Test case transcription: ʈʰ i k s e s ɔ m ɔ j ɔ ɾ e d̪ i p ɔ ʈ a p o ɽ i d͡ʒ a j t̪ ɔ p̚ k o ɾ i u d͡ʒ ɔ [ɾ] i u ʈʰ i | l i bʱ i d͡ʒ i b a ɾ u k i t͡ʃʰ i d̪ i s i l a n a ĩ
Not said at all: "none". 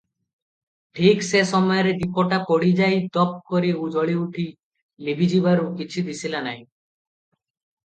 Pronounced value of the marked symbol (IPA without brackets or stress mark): ɭ